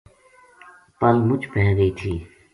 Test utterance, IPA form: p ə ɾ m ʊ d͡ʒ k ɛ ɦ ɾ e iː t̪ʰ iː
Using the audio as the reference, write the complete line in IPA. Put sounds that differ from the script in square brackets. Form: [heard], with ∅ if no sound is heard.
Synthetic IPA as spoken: p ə [l] m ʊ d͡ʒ [p] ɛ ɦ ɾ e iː t̪ʰ iː

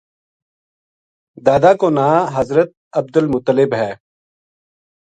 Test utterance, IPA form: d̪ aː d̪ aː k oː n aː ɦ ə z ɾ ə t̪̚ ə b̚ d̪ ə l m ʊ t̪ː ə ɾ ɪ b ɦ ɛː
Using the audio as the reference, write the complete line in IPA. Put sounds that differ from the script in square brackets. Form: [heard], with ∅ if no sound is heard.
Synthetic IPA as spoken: d̪ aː d̪ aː k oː n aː ɦ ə z ɾ ə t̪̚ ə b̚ d̪ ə l m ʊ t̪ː ə [l] ɪ b ɦ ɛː

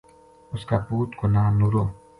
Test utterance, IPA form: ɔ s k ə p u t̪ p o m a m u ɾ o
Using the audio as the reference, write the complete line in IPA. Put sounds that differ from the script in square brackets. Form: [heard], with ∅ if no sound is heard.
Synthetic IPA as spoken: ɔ s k [a] p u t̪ [k] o [n] a [n] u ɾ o

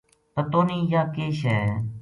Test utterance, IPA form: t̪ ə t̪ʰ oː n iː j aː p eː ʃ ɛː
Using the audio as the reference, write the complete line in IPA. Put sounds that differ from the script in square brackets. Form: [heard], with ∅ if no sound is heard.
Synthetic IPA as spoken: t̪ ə [t̪] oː n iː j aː [k] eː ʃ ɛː

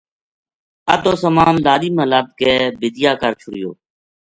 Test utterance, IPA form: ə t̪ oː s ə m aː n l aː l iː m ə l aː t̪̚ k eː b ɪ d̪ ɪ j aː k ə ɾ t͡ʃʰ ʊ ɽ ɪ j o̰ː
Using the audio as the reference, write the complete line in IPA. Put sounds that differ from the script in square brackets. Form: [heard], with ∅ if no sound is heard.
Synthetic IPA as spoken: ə t̪ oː s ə m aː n l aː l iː m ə l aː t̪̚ k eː b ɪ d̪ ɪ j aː k ə ɾ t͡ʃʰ ʊ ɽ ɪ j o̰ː

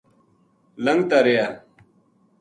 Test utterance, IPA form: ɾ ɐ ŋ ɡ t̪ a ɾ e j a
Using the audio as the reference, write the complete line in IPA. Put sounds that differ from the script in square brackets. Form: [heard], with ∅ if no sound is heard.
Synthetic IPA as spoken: [l] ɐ ŋ ɡ t̪ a ɾ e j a

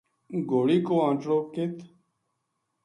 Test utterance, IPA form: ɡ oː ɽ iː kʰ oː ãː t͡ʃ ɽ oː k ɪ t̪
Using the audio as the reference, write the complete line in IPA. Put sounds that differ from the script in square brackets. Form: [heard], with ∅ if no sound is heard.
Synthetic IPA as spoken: ɡ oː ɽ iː [k] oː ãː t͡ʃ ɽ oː k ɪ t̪

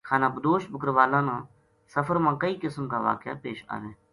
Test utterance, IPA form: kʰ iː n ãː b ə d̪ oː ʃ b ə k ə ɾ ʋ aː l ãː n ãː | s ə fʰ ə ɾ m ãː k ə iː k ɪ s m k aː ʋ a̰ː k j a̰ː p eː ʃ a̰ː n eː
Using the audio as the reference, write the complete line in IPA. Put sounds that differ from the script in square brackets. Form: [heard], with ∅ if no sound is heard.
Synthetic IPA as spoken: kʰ [aː] n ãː b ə d̪ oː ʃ b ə k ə ɾ ʋ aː l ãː n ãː | s ə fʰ ə ɾ m ãː k ə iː k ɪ s m k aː ʋ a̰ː k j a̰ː p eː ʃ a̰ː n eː

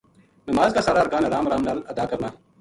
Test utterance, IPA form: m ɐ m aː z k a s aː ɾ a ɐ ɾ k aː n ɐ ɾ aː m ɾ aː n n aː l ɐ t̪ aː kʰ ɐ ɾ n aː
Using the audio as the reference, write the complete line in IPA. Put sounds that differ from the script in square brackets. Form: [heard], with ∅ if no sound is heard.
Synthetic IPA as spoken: [n] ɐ m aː z k a s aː ɾ a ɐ ɾ k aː n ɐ ɾ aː m ɾ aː [m] n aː l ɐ [d̪] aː [k] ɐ ɾ n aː

